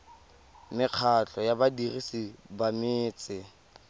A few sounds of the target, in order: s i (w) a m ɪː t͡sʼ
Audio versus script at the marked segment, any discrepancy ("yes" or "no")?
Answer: yes